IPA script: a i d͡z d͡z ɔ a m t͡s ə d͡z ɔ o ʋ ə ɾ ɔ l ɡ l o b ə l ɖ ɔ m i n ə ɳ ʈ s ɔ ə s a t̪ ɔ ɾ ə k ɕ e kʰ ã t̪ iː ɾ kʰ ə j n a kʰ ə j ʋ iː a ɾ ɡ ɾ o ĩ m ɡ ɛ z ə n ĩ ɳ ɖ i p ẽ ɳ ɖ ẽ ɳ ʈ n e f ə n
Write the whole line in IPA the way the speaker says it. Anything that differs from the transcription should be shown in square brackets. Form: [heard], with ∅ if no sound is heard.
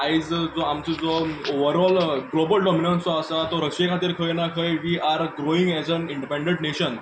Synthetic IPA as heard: a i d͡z d͡z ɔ a m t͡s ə d͡z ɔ o ʋ ə ɾ ɔ l ɡ l o b ə l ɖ ɔ m i n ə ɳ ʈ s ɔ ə s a t̪ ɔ ɾ ə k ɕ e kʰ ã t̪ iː ɾ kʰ ə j n a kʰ ə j ʋ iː a ɾ ɡ ɾ o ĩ [ŋ] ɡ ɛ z ə n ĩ ɳ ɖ i p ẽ ɳ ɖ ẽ ɳ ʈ n e [ɕ] ə n